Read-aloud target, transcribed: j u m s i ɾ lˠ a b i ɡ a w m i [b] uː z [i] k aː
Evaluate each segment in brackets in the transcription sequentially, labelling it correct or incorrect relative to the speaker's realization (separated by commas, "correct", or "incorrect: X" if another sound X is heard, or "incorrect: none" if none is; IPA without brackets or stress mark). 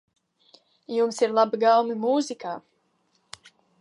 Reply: incorrect: m, correct